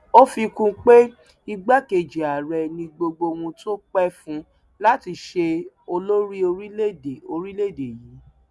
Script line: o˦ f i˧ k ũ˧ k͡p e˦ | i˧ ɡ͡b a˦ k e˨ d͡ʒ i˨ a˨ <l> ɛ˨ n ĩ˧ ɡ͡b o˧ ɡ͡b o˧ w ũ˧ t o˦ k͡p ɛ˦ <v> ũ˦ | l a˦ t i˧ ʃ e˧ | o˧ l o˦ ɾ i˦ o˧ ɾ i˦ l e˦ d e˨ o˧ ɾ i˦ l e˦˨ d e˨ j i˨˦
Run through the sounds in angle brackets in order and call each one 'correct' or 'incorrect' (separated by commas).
incorrect, incorrect